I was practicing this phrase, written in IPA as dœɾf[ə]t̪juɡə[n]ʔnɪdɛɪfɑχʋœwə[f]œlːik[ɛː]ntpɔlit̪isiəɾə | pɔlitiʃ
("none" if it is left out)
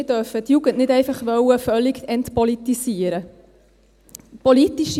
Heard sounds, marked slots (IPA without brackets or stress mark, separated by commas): ə, n, f, ɛ